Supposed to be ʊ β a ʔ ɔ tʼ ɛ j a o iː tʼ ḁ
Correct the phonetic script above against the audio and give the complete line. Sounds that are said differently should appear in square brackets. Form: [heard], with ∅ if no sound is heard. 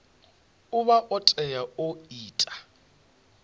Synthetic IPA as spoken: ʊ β a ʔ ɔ tʼ ɛ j a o iː tʼ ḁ